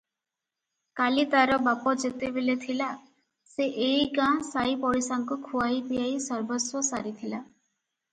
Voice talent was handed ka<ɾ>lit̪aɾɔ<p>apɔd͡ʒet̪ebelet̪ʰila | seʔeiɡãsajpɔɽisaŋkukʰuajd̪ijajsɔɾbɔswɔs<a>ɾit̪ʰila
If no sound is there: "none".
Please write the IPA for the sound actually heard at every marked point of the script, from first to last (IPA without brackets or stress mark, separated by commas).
none, b, a